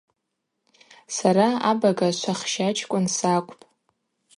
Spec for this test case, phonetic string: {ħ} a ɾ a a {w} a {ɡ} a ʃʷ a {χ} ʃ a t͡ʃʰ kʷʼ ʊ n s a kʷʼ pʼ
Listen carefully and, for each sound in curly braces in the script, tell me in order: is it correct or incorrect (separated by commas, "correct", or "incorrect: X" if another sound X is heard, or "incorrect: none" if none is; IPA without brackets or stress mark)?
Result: incorrect: s, incorrect: b, correct, correct